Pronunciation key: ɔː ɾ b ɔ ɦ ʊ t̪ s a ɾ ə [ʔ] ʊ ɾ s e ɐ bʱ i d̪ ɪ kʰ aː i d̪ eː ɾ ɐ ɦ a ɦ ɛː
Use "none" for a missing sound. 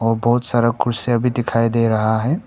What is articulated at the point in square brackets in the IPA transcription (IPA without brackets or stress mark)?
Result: k